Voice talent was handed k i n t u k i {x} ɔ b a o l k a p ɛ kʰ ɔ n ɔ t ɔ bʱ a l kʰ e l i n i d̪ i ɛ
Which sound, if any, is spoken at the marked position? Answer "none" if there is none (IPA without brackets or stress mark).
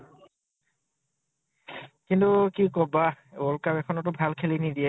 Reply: k